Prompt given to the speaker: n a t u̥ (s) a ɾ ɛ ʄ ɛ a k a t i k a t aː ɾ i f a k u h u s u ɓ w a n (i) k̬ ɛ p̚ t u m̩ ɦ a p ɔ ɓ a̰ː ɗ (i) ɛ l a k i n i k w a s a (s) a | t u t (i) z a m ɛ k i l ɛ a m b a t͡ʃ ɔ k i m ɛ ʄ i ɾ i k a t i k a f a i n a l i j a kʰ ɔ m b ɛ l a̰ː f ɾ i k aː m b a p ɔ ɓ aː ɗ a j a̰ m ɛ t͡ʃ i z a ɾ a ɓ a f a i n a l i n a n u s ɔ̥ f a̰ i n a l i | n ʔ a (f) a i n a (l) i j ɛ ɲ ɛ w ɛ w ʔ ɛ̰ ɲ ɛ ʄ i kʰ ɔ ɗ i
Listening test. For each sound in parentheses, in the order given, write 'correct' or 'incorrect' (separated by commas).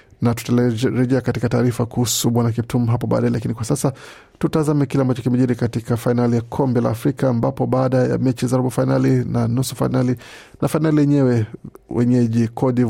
incorrect, incorrect, incorrect, correct, incorrect, correct, correct